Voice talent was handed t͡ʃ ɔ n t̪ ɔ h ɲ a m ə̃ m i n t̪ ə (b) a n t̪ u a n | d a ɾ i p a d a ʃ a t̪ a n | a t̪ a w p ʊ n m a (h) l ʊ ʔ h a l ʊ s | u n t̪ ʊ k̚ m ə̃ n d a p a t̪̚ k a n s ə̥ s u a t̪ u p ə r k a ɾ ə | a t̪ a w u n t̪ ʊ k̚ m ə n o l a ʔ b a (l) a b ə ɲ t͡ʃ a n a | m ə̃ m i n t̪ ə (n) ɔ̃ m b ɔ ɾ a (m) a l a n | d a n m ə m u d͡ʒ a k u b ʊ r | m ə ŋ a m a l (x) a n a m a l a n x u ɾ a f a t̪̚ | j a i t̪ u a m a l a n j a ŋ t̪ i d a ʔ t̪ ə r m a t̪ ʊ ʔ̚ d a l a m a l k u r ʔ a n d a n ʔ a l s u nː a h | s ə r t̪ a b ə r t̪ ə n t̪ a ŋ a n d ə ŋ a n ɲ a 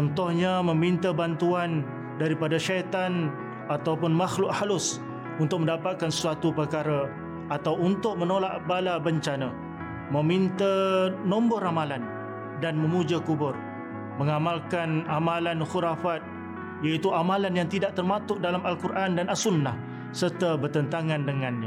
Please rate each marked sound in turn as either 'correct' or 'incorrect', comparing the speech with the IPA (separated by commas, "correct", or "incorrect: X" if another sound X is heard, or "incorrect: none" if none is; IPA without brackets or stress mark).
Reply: correct, incorrect: x, correct, correct, correct, incorrect: k